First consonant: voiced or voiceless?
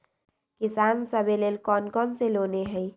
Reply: voiceless